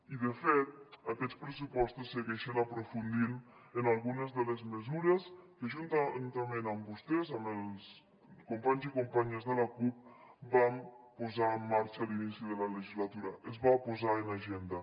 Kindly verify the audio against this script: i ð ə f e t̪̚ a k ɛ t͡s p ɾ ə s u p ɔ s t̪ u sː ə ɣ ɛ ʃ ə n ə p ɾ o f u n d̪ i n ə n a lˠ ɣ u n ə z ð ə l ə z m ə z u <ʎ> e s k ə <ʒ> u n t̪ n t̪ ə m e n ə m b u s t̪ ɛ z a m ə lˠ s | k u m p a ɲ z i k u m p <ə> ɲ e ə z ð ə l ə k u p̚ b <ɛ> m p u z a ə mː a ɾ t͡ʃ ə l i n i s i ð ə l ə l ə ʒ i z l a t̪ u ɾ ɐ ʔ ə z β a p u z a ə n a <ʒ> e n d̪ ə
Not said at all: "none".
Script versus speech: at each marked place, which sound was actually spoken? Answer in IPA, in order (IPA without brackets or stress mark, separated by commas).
ɾ, ʒ, a, a, ʒ